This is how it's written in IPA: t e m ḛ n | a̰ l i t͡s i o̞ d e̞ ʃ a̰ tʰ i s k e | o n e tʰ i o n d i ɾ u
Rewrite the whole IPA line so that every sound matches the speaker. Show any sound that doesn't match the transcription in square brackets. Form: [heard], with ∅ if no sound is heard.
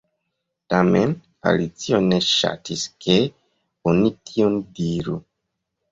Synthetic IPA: t [a] m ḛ n | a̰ l i t͡s i o̞ [n] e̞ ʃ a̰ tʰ i s k e | o n [i] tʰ i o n d i ɾ u